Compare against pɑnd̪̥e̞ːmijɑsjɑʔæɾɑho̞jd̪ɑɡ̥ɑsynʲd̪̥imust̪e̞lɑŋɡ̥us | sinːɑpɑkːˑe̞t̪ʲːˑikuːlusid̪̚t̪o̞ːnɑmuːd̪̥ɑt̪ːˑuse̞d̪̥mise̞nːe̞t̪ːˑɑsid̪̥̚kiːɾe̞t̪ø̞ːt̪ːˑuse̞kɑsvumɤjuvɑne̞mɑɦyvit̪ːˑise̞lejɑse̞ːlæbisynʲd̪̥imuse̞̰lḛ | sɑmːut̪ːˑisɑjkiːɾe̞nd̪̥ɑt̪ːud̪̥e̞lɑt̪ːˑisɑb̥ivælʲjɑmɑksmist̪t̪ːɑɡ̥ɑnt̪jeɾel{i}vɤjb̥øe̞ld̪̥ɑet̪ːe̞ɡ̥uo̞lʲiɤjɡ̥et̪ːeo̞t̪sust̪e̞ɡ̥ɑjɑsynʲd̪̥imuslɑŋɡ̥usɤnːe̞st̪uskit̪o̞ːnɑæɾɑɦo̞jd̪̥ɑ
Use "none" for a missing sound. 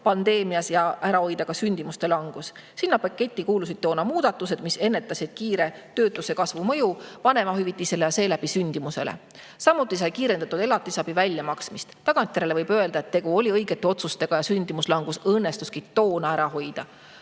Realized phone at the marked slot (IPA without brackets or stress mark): e